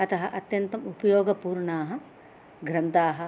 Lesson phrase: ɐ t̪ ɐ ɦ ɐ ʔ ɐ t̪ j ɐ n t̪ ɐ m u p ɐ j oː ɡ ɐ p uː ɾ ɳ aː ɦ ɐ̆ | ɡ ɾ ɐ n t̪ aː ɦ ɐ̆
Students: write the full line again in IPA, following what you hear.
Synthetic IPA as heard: ɐ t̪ ɐ ɦ ɐ ʔ ɐ t̪ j ɐ n t̪ ɐ m u p ɐ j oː ɡ ɐ p uː ɾ ɳ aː ɦ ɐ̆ | ɡ ɾ ɐ n t̪ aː ɦ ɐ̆